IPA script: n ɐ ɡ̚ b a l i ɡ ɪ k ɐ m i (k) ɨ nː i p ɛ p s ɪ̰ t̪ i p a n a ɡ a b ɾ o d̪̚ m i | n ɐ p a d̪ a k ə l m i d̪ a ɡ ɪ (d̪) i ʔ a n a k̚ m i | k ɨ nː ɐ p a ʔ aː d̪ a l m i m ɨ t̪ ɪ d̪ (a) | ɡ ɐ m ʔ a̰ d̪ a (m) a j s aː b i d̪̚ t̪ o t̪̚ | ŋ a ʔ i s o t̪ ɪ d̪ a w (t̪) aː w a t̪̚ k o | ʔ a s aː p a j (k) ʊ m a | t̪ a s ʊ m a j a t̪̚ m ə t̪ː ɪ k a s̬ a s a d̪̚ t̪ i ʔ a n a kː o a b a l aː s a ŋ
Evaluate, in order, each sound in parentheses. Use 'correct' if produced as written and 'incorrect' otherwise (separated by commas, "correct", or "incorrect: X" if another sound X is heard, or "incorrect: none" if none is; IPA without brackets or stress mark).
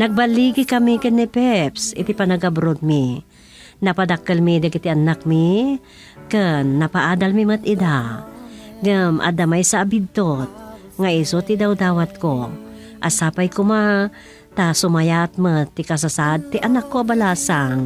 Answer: correct, incorrect: t̪, correct, correct, incorrect: d̪, correct